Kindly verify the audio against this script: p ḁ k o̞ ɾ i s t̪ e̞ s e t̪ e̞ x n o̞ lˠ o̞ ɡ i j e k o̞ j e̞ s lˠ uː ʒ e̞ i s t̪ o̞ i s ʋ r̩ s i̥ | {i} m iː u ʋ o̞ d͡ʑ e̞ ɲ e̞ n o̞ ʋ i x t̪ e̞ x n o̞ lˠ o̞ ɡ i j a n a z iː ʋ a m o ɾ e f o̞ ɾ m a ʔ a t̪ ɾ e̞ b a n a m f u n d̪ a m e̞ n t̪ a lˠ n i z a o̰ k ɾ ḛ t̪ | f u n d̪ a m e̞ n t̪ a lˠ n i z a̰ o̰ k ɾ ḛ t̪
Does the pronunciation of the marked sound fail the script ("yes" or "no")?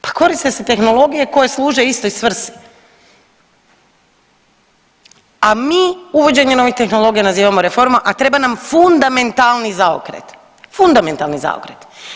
yes